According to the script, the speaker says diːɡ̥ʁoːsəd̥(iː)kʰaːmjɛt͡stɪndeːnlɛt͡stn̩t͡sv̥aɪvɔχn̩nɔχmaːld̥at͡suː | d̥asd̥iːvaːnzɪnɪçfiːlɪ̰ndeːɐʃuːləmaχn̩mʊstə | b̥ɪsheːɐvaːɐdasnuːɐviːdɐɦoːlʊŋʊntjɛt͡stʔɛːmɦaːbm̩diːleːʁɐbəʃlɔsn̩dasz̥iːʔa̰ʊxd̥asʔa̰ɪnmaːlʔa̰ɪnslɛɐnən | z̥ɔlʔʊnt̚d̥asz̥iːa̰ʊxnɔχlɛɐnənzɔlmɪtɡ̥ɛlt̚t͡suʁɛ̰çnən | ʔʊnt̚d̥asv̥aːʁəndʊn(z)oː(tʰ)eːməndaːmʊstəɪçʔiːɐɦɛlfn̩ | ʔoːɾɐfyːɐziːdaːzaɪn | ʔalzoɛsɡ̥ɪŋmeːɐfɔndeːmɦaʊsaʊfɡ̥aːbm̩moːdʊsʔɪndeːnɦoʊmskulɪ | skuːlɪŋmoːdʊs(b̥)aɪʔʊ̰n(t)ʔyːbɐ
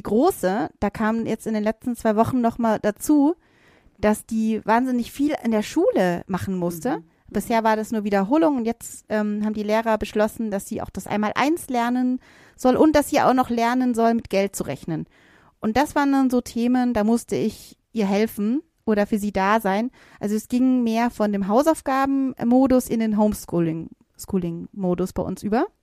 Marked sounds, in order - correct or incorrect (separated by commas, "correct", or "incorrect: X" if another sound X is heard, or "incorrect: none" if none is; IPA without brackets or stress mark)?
incorrect: aː, correct, correct, correct, incorrect: s